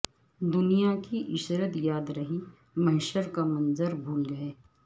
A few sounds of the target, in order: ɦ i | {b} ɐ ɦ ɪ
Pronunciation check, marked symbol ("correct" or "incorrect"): incorrect